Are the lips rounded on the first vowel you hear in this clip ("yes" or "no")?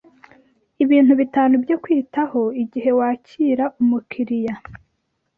no